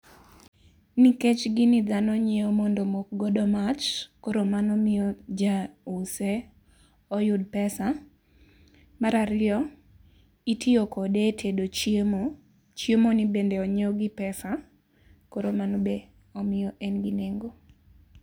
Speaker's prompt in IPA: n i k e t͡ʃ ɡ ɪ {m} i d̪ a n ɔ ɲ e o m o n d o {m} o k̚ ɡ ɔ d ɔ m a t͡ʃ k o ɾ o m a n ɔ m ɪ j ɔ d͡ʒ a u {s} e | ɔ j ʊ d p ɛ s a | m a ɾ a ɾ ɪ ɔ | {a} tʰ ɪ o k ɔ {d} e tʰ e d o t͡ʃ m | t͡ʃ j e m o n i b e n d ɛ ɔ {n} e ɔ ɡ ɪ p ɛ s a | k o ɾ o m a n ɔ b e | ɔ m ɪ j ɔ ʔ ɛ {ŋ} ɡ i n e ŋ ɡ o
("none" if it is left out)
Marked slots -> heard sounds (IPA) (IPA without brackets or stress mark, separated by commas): n, m, s, i, d, ɲ, n